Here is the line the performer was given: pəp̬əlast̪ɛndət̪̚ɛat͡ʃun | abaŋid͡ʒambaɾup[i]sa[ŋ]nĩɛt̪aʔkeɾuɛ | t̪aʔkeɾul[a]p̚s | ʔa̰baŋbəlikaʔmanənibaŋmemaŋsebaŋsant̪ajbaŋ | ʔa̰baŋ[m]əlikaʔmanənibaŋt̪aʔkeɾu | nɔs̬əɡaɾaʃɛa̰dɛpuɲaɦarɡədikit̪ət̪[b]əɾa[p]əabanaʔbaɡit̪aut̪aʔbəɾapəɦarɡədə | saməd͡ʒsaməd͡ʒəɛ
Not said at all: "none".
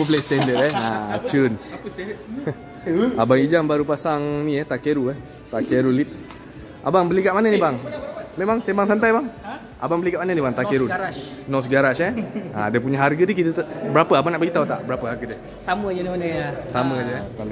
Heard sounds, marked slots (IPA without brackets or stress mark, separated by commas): a, ŋ, i, b, b, p